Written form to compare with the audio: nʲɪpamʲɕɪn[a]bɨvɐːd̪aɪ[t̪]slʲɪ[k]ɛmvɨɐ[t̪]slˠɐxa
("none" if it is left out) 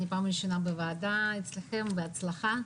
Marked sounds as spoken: a, t̪, x, t̪

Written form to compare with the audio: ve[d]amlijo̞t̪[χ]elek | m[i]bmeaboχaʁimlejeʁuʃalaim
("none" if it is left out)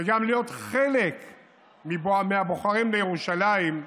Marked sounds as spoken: ɡ, χ, i

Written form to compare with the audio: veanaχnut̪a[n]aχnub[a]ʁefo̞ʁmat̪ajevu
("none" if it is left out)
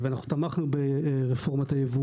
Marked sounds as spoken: m, e

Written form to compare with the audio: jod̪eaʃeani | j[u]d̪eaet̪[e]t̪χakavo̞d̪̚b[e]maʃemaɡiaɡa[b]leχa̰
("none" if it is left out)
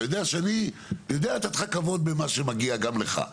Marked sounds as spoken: o, a, e, m

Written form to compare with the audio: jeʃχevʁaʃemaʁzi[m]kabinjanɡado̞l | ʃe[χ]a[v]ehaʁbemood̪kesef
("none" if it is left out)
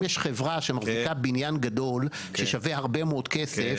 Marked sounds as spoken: none, ʃ, v

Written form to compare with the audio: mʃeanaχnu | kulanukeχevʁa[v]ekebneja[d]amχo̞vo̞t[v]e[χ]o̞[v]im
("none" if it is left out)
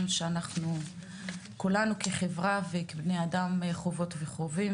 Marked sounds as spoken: v, d, v, χ, v

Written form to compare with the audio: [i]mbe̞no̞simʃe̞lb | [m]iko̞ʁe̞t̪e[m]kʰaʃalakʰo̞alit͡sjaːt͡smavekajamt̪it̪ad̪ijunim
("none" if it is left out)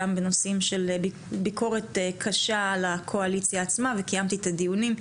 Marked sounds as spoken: a, b, none

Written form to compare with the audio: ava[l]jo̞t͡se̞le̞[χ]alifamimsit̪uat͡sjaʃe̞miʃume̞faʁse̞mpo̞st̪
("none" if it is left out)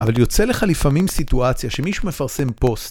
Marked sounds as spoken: l, χ

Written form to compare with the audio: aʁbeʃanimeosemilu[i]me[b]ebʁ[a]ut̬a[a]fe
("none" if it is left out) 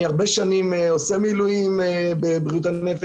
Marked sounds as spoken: i, b, i, e

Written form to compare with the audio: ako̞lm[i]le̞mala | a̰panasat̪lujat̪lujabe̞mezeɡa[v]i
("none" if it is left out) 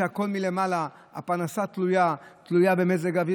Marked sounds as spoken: i, v

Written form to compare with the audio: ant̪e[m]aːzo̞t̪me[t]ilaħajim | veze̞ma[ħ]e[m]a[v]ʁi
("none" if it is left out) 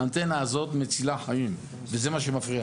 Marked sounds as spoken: n, t͡s, ʃ, m, f

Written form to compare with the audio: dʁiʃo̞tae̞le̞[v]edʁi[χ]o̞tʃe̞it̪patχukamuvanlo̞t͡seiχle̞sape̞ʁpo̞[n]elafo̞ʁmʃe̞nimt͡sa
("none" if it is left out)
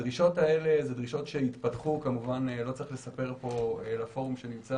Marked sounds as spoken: z, ʃ, none

